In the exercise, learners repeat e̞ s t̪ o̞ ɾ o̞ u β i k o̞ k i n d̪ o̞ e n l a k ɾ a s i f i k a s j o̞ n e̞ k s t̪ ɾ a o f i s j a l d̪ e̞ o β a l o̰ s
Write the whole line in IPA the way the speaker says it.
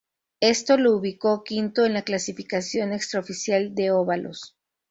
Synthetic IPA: e̞ s t̪ o̞ l o̞ u β i k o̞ k i n t̪ o̞ e n l a k l a s i f i k a s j o̞ n e̞ k s t̪ ɾ a o f i s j a l d̪ e̞ o β a l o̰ s